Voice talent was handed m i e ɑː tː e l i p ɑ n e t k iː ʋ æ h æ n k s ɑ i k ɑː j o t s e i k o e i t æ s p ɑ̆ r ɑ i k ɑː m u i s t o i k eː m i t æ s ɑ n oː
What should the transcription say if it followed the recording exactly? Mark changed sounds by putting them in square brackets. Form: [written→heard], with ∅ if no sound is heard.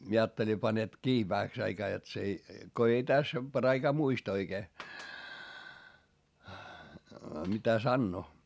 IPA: m i e ɑː tː e l i p ɑ n e t k iː ʋ æ h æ [n→∅] k s ɑ i k ɑː j o t s e i k o e i t æ s p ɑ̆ r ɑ i k ɑː m u i s t o i k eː m i t æ s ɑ [n→nː] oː